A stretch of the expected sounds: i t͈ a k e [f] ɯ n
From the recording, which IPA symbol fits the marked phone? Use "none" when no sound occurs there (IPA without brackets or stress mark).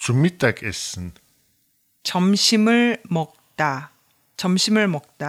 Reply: s